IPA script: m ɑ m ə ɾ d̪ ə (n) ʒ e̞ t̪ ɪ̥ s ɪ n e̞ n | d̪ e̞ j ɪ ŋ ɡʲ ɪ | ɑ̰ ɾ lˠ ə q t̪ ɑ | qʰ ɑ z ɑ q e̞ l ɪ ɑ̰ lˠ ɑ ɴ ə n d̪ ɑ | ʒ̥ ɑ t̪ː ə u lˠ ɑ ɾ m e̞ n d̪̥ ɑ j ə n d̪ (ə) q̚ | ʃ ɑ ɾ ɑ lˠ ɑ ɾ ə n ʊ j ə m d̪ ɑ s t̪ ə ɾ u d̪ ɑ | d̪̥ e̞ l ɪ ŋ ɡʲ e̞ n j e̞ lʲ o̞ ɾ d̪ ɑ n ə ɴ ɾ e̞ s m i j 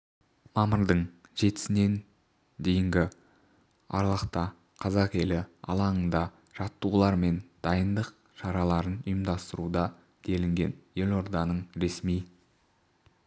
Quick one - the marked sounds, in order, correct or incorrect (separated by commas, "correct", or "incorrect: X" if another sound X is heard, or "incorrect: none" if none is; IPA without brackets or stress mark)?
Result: incorrect: ɴ, correct